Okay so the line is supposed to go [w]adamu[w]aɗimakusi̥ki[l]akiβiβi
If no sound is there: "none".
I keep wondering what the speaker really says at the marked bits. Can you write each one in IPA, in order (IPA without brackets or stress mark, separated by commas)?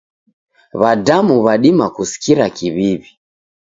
β, β, ɾ